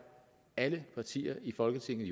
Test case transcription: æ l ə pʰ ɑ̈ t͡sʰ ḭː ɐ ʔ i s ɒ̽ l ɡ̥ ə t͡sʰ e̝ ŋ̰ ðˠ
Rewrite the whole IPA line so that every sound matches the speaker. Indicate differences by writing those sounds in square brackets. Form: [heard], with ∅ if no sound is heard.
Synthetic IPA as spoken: æ l ə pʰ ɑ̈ t͡sʰ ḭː ɐ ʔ i [f] ɒ̽ l ɡ̥ ə t͡sʰ e̝ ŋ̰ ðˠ